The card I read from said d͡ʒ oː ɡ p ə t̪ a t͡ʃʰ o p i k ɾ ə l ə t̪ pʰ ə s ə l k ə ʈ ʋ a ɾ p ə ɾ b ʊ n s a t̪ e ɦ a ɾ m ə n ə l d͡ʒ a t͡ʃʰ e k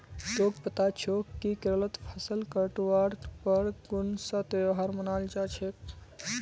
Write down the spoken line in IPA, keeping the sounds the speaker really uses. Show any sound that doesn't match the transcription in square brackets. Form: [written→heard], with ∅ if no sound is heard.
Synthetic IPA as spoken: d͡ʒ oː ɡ p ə t̪ a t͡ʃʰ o [p→k] i k ɾ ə l ə t̪ pʰ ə s ə l k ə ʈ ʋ a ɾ p ə ɾ [b→ɡ] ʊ n s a t̪ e ɦ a ɾ m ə n [ə→a] l d͡ʒ a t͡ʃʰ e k